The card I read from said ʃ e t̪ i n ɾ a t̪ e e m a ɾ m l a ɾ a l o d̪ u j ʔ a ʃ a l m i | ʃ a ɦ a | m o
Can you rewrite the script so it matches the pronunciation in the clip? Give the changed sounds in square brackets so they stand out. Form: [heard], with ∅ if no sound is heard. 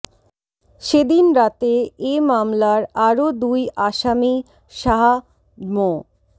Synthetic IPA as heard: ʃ e [d̪] i n ɾ a t̪ e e m a [∅] m l a ɾ a [ɾ] o d̪ u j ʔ a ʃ a [∅] m i | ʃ a ɦ a | m o